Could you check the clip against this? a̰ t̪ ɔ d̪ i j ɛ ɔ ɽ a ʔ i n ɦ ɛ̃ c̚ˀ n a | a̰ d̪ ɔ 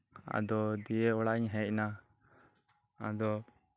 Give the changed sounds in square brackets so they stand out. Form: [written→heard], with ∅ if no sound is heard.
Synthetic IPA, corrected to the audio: a̰ [t̪→d̪] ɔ d̪ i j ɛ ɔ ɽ a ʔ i [n→ɲ] ɦ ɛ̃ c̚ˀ n a | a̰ d̪ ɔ